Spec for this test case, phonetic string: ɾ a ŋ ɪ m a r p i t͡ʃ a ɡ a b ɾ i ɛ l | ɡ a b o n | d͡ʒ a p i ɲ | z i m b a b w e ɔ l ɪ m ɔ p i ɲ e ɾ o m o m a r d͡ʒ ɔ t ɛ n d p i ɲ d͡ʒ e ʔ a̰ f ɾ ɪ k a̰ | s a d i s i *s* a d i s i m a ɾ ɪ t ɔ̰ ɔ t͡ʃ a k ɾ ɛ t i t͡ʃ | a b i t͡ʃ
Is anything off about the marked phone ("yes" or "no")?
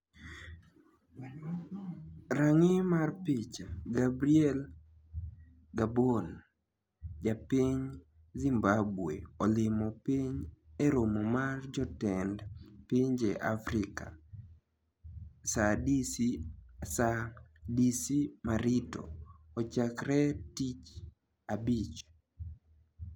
no